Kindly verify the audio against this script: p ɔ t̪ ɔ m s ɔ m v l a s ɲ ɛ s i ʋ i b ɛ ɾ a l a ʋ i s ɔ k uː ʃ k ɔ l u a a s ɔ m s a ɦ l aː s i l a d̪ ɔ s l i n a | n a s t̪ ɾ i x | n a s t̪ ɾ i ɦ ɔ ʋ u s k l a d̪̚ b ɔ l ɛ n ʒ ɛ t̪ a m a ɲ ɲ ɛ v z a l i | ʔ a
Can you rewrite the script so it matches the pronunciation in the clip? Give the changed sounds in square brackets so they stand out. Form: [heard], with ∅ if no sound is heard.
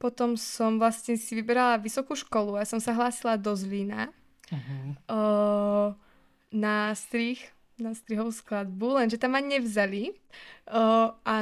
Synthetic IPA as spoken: p ɔ t̪ ɔ m s ɔ m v l a s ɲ ɛ s i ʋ i b ɛ ɾ a l a ʋ i s ɔ k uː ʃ k ɔ l u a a s ɔ m s a ɦ l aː s i l a d̪ ɔ [z] l i n a | n a s t̪ ɾ i x | n a s t̪ ɾ i ɦ ɔ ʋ u s k l a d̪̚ b [u] l ɛ n ʒ ɛ t̪ a m a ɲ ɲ ɛ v z a l i | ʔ a